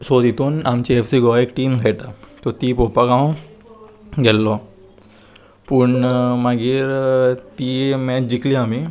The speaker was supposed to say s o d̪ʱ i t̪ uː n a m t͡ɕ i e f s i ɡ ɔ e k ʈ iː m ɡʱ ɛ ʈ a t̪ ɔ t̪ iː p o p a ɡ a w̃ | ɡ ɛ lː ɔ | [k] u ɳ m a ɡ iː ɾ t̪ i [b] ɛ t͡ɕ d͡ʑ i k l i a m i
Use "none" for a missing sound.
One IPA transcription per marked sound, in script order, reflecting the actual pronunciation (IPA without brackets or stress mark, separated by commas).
p, m